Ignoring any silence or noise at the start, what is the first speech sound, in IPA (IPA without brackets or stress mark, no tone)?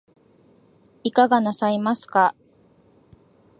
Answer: i